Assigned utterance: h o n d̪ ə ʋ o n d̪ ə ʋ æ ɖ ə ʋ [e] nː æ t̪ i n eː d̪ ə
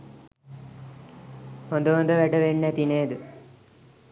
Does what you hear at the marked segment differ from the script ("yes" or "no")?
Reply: no